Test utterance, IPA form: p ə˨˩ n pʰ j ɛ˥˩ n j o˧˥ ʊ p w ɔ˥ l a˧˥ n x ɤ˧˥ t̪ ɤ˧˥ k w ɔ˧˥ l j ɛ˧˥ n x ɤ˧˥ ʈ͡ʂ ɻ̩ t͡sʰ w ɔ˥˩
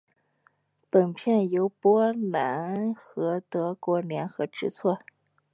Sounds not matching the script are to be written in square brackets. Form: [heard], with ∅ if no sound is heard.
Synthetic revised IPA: p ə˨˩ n pʰ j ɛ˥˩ n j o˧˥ ʊ p w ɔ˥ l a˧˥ n x ɤ˧˥ t̪ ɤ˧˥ k w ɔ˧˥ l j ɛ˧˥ n x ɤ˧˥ ʈ͡ʂ ɻ̩ t͡sʰ w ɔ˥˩